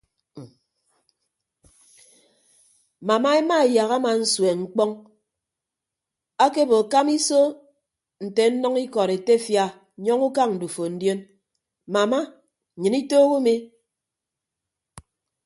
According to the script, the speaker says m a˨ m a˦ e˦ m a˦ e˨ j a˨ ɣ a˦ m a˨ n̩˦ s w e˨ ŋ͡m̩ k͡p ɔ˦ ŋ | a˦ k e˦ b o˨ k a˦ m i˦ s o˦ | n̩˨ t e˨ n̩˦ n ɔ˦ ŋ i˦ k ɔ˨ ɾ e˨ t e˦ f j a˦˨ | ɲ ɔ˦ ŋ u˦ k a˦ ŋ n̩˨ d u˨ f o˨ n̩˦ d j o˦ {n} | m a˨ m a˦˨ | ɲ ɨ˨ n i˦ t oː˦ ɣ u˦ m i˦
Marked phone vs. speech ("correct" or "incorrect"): correct